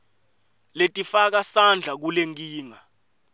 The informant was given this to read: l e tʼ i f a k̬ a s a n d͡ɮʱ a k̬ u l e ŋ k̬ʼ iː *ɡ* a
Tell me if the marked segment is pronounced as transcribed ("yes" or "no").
no